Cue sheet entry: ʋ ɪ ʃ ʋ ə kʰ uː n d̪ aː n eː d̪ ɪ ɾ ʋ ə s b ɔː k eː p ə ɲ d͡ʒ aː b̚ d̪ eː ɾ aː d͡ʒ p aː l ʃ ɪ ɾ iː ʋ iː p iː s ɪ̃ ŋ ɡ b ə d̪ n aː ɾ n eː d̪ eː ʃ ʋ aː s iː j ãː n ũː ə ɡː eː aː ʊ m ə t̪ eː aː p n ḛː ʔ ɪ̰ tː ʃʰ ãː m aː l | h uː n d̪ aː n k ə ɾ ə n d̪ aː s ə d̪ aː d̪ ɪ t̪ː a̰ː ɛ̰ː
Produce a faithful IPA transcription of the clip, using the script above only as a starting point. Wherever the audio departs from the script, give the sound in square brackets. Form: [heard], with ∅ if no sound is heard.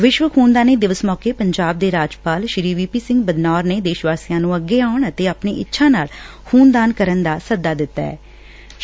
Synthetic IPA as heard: ʋ ɪ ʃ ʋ ə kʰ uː n d̪ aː n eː d̪ ɪ [∅] ʋ ə s [m] ɔː k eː p ə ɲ d͡ʒ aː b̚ d̪ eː ɾ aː d͡ʒ p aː l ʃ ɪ ɾ iː ʋ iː p iː s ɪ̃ ŋ ɡ b ə d̪ n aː ɾ n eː d̪ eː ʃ ʋ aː s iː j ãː n ũː ə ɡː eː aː ʊ [ɳ] ə t̪ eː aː p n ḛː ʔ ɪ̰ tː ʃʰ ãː [n] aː l | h uː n d̪ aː n k ə ɾ ə n d̪ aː s ə d̪ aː d̪ ɪ t̪ː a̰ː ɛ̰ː